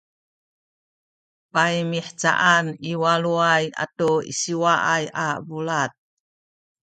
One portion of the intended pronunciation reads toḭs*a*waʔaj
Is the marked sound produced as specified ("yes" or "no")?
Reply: no